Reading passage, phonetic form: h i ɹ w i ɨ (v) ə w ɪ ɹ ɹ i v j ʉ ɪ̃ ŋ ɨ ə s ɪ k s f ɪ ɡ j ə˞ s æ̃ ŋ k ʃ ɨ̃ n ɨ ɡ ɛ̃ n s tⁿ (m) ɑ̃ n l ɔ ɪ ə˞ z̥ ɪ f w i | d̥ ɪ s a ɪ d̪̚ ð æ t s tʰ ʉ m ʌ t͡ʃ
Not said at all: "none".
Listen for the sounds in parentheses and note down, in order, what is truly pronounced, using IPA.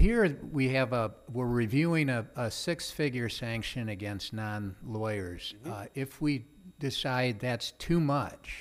v, n

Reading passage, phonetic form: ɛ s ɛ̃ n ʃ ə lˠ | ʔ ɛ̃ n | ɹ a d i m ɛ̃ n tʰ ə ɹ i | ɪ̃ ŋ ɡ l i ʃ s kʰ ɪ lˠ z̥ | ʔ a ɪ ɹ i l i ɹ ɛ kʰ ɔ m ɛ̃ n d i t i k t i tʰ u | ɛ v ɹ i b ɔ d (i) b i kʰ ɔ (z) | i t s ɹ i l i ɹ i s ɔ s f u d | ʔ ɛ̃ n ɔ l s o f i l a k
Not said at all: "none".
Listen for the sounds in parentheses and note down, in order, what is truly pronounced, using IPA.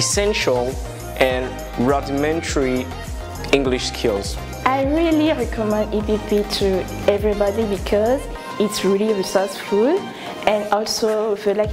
i, z

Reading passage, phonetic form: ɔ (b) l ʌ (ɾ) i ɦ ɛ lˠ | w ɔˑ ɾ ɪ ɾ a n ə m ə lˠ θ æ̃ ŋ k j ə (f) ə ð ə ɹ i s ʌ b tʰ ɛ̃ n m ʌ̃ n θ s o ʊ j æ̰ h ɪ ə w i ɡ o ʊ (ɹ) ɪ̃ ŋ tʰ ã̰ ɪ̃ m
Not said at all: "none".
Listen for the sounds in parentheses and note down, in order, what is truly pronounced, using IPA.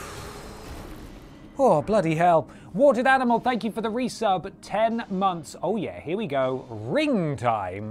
b, ɾ, f, ɹ

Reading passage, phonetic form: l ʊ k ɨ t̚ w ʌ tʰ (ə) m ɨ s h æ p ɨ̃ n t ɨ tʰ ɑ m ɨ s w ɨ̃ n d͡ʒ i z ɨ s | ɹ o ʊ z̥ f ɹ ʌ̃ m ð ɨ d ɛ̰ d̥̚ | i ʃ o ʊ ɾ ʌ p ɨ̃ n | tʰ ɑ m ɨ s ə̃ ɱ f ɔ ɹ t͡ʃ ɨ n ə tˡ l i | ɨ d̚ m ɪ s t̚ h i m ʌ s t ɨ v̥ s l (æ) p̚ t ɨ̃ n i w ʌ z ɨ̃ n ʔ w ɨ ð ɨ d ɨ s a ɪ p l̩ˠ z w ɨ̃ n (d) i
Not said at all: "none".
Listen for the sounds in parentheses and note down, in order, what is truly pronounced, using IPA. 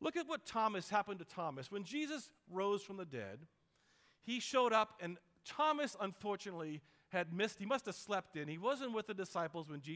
ɑ, ɛ, d͡ʒ

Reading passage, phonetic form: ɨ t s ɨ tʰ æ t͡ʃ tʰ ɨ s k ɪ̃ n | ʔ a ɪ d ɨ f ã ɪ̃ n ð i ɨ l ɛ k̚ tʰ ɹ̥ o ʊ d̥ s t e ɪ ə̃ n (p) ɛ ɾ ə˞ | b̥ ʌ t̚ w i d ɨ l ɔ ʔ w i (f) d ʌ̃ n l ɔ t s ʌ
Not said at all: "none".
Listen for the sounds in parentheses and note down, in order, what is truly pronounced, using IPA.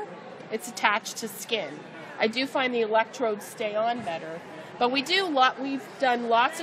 b, v

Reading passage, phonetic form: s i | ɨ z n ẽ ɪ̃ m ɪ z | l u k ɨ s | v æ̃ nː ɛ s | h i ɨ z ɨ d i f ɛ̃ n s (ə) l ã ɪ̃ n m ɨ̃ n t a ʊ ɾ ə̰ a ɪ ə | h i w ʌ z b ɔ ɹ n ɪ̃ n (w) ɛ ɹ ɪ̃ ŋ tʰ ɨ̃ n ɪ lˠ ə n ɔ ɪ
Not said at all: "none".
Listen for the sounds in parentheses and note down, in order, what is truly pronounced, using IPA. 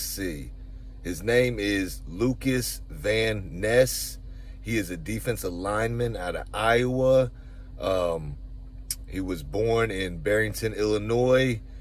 ə, b

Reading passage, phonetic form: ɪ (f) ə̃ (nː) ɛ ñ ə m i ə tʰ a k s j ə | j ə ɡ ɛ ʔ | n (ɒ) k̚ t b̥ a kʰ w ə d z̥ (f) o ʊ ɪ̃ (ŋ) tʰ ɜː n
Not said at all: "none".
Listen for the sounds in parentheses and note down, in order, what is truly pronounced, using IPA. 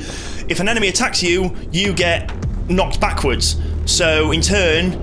f, n, ɒ, s, n

